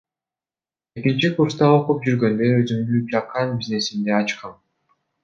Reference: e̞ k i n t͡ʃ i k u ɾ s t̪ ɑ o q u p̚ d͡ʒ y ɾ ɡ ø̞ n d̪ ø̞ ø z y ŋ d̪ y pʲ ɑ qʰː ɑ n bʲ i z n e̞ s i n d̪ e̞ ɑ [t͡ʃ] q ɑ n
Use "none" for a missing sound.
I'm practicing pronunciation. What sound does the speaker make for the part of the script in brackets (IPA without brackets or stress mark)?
t͡ʃ